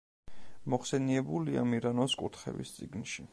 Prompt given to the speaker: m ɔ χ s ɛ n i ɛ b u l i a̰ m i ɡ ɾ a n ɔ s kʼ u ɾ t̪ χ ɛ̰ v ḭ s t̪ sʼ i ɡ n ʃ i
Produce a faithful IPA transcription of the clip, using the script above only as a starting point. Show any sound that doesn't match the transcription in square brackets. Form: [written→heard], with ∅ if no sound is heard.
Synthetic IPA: m ɔ χ s ɛ n i ɛ b u l i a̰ m i [ɡ→∅] ɾ a n ɔ s kʼ u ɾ t̪ χ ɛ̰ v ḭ s t̪ sʼ i ɡ n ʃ i